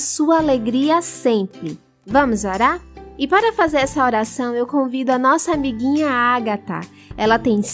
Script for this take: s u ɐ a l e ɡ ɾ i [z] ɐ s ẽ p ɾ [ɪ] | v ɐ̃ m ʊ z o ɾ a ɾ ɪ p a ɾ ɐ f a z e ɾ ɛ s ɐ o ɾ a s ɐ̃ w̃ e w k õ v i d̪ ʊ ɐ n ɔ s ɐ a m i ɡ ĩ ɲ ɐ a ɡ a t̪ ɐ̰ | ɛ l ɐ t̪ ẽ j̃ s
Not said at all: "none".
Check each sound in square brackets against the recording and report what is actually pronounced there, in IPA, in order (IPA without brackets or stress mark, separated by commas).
none, ɪ